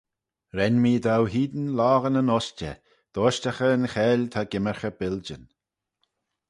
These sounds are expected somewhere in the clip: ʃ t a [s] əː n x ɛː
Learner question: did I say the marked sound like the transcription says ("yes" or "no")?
no